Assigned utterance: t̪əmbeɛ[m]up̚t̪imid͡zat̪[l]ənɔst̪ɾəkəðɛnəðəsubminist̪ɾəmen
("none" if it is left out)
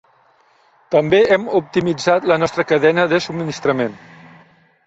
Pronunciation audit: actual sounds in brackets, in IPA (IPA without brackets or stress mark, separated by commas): m, l